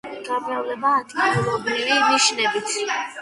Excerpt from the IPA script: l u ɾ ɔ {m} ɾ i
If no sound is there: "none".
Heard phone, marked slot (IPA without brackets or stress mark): b